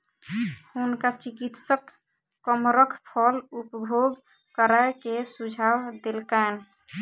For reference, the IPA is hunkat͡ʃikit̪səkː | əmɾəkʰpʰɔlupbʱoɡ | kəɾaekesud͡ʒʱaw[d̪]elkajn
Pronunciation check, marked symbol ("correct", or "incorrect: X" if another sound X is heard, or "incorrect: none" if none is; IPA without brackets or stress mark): correct